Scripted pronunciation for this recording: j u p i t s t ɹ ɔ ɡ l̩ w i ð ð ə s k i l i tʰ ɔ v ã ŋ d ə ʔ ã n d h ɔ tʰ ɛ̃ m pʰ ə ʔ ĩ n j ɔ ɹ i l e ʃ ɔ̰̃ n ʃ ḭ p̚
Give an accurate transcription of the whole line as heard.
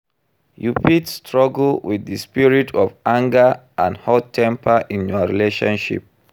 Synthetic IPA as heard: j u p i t s t ɹ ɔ ɡ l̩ w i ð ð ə s p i ɹ i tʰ ɔ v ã ŋ ɡ ə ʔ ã n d h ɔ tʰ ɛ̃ m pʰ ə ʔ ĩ n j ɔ ɹ i l e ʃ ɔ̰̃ n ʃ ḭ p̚